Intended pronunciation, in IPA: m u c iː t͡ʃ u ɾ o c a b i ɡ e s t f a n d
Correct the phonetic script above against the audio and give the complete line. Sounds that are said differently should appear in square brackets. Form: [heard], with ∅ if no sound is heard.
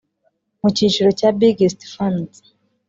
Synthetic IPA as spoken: m u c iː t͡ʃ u ɾ o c a b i ɡ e s t f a n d